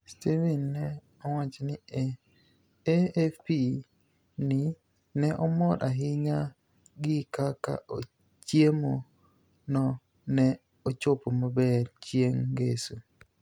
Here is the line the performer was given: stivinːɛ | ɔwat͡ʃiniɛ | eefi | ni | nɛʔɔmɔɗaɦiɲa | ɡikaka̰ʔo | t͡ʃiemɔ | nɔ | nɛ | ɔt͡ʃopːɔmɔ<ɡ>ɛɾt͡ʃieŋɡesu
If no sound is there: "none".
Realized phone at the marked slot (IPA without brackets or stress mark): b